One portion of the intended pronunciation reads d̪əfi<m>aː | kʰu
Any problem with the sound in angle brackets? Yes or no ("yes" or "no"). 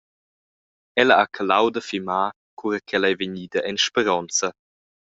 no